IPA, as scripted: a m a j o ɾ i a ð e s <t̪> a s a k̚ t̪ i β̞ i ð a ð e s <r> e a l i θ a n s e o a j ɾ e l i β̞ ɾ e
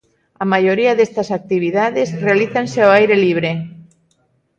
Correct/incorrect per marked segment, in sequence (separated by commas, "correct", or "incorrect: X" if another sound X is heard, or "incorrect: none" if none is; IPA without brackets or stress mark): correct, correct